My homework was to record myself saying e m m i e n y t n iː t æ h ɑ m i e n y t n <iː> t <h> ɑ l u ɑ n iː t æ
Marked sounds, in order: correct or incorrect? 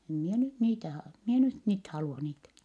correct, correct

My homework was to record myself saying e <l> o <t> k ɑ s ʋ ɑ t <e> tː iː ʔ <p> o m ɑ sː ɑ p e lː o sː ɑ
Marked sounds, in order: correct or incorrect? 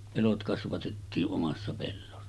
correct, correct, correct, incorrect

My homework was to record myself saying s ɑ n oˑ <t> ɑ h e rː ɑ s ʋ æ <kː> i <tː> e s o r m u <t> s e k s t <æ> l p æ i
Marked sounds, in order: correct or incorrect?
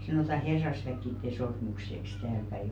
correct, correct, correct, incorrect, incorrect

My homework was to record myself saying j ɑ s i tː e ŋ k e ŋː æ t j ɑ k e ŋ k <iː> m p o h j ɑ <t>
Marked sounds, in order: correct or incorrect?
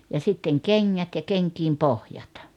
correct, correct

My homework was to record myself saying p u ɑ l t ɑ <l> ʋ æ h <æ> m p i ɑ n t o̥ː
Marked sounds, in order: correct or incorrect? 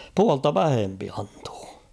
incorrect, incorrect

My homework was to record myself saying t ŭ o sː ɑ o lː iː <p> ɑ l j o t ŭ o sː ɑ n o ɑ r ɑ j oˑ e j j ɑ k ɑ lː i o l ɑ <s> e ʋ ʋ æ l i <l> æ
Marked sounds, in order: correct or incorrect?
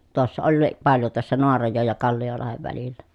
correct, incorrect, incorrect

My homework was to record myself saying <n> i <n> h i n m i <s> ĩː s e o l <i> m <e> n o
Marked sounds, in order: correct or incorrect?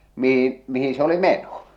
incorrect, incorrect, incorrect, correct, correct

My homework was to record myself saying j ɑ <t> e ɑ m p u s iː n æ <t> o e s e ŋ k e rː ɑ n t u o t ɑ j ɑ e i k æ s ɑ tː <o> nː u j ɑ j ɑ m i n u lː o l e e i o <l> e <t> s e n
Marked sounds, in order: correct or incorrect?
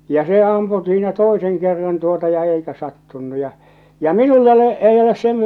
incorrect, correct, incorrect, correct, incorrect

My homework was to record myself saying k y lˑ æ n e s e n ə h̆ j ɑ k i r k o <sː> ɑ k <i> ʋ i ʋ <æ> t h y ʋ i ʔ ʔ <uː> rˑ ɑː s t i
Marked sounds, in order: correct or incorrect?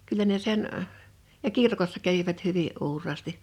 correct, incorrect, correct, correct

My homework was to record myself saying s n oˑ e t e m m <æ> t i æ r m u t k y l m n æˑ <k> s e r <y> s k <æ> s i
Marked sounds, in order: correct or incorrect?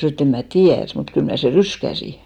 correct, incorrect, correct, correct

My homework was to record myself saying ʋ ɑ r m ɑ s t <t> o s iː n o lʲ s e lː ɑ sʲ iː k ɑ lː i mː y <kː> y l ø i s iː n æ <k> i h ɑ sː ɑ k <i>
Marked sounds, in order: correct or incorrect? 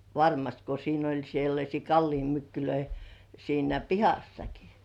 incorrect, correct, incorrect, correct

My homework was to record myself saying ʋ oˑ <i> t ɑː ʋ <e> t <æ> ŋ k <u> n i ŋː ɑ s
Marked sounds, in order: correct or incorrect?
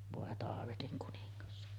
incorrect, correct, incorrect, correct

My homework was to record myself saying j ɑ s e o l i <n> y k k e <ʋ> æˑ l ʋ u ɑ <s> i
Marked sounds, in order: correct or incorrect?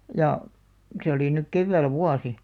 correct, incorrect, correct

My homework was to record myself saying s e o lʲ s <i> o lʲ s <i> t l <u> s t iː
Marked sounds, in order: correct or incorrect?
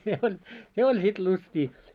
incorrect, correct, correct

